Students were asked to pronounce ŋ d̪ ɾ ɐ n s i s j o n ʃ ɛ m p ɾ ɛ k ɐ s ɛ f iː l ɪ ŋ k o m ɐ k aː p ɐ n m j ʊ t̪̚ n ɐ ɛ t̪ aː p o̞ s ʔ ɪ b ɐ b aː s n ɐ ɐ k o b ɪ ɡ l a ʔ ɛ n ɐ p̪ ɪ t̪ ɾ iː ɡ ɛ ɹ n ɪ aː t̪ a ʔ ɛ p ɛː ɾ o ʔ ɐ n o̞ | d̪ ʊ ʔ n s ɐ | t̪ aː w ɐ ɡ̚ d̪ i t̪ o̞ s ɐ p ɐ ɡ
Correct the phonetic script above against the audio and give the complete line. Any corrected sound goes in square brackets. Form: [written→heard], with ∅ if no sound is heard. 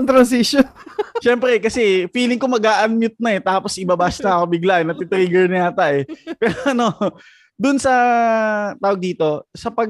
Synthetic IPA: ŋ [d̪→t̪] ɾ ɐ n s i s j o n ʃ ɛ m p ɾ ɛ k ɐ s ɛ f iː l ɪ ŋ k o m ɐ [k→ɡ] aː [p→ʔ] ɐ n m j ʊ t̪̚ n ɐ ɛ t̪ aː p o̞ s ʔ ɪ b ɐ b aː s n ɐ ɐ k o b ɪ ɡ l a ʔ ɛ n ɐ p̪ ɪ t̪ ɾ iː ɡ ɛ ɹ n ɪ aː t̪ a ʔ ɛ p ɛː ɾ o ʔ ɐ n o̞ | d̪ ʊ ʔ n s ɐ | t̪ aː w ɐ ɡ̚ d̪ [i→iː] t̪ o̞ s ɐ p ɐ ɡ